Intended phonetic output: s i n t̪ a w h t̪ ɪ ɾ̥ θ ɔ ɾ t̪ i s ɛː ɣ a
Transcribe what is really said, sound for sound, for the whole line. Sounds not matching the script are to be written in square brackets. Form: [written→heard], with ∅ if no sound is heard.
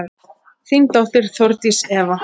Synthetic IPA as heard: [s→θ] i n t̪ a w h t̪ ɪ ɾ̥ θ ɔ ɾ t̪ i s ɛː [ɣ→v] a